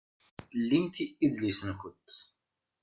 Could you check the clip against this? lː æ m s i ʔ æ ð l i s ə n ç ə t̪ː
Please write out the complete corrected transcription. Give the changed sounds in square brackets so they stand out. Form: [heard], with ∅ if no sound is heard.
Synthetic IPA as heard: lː [i] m [θ] i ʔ [i] ð l i s ə n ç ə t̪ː